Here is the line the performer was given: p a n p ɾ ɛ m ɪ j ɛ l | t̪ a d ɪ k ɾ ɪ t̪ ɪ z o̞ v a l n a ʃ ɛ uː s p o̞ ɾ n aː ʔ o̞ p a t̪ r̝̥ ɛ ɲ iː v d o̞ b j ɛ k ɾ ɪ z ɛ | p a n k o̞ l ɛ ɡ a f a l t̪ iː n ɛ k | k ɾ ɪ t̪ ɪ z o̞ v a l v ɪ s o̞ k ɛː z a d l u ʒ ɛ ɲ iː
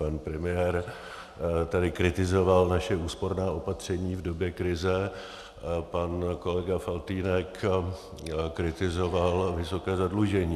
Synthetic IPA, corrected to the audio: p a n p ɾ ɛ m ɪ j ɛ ɾ | t̪ a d ɪ k ɾ ɪ t̪ ɪ z o̞ v a l n a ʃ ɛ uː s p o̞ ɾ n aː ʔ o̞ p a t̪ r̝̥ ɛ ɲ iː v d o̞ b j ɛ k ɾ ɪ z ɛ | p a n k o̞ l ɛ ɡ a f a l t̪ iː n ɛ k | k ɾ ɪ t̪ ɪ z o̞ v a l v ɪ s o̞ k ɛː z a d l u ʒ ɛ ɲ iː